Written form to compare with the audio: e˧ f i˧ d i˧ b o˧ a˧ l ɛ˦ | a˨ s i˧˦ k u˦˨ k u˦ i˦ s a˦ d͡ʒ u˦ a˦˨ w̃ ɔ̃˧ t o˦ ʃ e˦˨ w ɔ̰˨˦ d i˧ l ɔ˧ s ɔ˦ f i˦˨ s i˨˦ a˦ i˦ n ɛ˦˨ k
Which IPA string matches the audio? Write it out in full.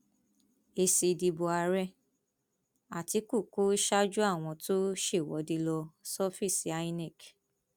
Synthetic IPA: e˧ s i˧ d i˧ b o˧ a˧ ɾ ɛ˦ | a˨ t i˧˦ k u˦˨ k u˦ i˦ ʃ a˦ d͡ʒ u˦ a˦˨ w̃ ɔ̃˧ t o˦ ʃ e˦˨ w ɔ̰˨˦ d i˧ l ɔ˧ s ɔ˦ f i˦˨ s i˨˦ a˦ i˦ n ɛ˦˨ k